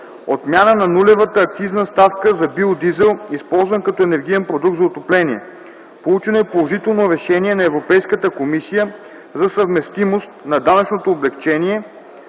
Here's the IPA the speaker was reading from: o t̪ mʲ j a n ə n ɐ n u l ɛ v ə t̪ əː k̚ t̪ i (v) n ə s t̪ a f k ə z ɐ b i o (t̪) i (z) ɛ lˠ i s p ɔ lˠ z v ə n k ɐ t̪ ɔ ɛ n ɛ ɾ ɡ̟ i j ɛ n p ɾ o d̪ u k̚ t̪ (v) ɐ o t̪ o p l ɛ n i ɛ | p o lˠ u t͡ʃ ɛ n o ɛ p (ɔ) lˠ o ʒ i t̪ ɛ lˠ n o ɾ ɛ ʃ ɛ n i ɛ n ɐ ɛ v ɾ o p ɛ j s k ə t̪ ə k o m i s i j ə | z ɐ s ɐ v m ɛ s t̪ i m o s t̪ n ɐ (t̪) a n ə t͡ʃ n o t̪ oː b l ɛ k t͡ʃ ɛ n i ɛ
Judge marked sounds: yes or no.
no, no, yes, no, no, no

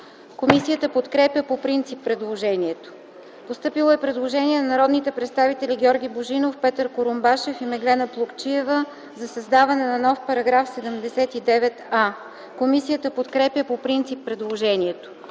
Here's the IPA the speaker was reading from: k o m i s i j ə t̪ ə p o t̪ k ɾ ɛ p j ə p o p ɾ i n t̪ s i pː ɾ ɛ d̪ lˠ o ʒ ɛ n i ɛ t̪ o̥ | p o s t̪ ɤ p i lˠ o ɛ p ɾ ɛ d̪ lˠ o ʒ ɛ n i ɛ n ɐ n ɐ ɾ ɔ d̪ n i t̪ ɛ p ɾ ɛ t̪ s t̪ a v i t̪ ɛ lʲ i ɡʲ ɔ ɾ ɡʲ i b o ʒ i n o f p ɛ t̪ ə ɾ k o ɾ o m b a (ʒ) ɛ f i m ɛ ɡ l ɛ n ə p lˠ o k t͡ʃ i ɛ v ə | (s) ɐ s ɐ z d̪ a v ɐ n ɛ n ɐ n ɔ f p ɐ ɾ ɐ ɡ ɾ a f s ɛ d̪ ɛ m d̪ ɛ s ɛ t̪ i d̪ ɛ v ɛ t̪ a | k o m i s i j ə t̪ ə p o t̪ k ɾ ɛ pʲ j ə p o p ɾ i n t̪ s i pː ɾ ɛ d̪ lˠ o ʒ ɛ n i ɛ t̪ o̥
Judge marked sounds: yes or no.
no, no

